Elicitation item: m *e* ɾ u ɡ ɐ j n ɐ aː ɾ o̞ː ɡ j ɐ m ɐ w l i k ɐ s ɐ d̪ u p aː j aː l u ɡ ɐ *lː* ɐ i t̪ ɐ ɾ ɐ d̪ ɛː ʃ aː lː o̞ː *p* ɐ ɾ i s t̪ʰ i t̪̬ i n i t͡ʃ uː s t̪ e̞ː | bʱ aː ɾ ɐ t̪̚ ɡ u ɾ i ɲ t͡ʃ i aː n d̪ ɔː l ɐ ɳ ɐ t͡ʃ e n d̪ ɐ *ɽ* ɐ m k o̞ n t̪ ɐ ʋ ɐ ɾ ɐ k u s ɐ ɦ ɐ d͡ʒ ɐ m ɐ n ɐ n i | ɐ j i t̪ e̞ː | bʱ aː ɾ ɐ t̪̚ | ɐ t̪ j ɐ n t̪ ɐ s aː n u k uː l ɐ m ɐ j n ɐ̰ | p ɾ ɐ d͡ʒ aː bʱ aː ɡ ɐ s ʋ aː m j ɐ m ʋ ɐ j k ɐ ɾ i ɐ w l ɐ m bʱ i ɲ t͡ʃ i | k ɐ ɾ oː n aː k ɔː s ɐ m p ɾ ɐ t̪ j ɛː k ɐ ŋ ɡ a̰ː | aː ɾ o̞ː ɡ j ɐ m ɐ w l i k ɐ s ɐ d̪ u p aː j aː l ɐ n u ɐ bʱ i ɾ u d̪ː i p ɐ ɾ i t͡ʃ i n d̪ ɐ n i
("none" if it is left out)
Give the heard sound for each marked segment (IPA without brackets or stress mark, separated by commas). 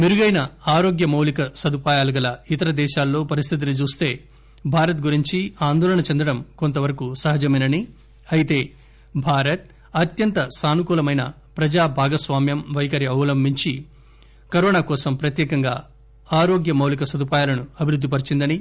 i, l, p, ɽ